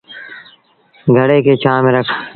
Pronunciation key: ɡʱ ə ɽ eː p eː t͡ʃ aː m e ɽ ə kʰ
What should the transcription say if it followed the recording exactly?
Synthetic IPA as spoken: ɡʱ ə ɽ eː k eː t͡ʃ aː m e ɾ ə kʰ